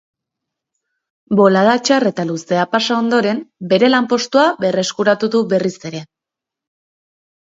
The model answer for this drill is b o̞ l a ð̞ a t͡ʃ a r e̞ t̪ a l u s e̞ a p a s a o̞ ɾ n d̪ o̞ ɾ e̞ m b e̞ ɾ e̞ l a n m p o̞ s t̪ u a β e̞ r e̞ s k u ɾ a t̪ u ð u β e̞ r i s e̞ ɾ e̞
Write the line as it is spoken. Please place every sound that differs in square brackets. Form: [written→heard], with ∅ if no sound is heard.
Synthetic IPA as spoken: b o̞ l a ð̞ a t͡ʃ a r e̞ t̪ a l u s e̞ a p a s a o̞ [ɾ→∅] n d̪ o̞ ɾ e̞ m b e̞ ɾ e̞ l a [n→∅] m p o̞ s t̪ u a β e̞ r e̞ s k u ɾ a t̪ u ð u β e̞ r i s e̞ ɾ e̞